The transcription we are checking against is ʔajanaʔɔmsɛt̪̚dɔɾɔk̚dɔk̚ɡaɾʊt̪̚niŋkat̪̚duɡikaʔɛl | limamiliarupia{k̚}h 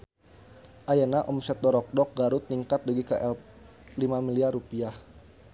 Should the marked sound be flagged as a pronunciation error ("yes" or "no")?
yes